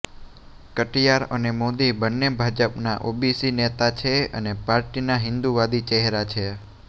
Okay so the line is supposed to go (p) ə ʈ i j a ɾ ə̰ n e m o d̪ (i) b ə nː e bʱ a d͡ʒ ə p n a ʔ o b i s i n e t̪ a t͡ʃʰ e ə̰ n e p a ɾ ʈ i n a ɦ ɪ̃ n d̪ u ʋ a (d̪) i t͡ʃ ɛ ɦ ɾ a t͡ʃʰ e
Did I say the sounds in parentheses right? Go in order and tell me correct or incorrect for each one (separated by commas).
incorrect, correct, correct